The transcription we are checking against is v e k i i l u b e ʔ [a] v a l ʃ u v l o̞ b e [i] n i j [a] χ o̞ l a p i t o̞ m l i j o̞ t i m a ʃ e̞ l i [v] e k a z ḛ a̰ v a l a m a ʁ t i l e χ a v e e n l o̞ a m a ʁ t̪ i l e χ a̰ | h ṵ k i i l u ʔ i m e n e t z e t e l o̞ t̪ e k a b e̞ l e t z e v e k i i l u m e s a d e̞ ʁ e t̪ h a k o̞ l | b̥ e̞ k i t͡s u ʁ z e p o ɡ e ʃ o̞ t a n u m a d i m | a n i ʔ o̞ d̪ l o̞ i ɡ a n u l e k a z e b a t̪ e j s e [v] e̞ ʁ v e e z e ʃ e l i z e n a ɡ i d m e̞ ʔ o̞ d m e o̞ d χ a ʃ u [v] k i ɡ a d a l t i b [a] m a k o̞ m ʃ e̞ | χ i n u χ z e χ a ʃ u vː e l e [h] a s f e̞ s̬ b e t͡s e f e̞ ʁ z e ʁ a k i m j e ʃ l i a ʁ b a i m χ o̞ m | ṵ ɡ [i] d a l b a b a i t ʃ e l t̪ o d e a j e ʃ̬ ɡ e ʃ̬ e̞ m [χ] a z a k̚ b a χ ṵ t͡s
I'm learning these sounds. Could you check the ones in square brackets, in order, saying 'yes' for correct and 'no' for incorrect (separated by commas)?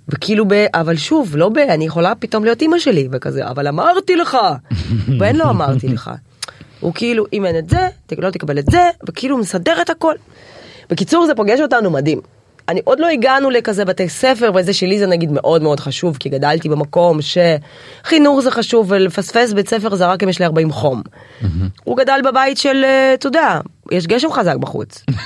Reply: yes, no, no, yes, no, yes, no, no, no, yes